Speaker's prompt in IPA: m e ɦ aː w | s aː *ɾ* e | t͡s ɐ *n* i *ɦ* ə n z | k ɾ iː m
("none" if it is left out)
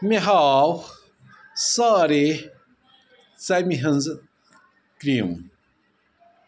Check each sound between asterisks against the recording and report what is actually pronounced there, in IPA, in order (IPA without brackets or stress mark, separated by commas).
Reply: ɾ, m, ɦ